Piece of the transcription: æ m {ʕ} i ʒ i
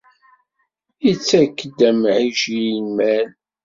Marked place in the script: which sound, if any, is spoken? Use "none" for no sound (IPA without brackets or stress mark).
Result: ʕ